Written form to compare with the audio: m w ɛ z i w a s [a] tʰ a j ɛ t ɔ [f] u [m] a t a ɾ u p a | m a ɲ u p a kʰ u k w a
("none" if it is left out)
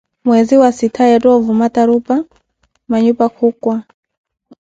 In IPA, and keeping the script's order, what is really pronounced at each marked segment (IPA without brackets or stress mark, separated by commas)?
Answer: i, v, m